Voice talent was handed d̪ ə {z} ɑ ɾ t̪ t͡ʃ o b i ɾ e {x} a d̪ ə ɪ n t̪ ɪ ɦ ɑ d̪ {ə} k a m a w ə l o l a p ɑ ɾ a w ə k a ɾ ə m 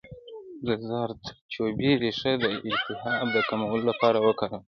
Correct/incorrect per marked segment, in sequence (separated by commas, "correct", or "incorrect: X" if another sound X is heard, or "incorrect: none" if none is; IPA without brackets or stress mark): correct, incorrect: ʂ, correct